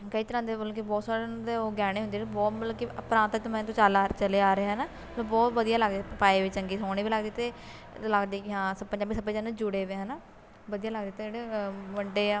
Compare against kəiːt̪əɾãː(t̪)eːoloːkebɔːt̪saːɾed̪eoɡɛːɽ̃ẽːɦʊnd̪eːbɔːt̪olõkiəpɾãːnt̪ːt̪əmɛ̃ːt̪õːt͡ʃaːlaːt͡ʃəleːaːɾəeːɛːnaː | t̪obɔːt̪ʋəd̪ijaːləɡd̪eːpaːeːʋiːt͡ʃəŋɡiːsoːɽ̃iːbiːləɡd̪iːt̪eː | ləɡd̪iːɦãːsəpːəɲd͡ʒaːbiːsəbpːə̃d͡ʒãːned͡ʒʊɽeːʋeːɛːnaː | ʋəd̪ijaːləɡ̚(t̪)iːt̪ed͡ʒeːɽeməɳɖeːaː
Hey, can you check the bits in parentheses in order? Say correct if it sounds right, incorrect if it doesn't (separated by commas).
incorrect, incorrect